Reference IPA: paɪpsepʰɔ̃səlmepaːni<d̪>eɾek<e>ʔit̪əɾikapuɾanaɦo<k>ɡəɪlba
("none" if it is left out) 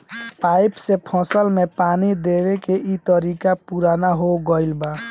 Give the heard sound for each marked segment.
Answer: d̪, e, none

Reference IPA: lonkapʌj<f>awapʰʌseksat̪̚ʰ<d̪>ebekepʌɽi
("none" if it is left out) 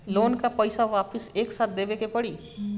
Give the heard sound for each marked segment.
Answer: s, d̪

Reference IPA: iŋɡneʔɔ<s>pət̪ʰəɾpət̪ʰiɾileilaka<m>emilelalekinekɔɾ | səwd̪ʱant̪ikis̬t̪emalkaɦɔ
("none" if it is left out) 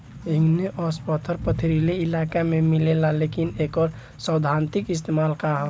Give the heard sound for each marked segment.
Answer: s, m

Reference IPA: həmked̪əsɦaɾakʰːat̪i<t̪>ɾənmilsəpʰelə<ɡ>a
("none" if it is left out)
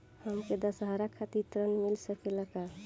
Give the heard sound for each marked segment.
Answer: t̪, k

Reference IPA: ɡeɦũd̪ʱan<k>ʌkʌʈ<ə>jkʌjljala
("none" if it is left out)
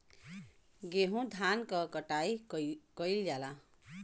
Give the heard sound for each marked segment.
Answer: k, a

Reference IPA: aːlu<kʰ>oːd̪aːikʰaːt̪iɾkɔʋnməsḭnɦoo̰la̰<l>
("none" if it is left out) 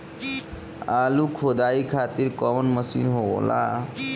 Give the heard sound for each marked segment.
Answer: kʰ, none

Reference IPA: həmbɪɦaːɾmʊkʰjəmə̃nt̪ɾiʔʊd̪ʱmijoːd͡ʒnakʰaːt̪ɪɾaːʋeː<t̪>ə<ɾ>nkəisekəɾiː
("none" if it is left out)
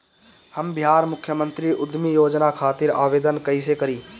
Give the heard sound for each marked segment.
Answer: d̪, none

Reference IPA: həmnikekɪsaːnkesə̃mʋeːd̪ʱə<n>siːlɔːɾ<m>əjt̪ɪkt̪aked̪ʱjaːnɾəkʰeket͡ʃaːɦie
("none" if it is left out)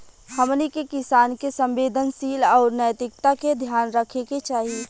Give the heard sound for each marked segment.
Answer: n, n

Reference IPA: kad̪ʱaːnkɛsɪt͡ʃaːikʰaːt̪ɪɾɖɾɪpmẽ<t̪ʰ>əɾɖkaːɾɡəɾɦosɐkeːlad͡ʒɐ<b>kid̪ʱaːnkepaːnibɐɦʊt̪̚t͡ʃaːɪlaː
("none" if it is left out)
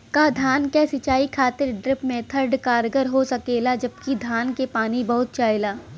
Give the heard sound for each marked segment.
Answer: t̪ʰ, b

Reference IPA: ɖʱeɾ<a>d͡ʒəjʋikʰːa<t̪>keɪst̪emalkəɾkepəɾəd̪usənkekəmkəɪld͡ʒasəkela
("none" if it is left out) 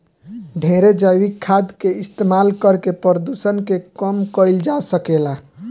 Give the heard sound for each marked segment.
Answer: e, d̪

